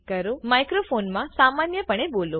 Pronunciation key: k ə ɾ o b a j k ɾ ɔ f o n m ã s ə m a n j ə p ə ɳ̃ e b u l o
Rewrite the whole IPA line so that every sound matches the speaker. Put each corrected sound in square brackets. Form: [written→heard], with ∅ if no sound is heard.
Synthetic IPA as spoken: k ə ɾ o [b→m] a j k ɾ [ɔ→o] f o n m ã s [ə→a] m a n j ə p ə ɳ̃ e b [u→o] l o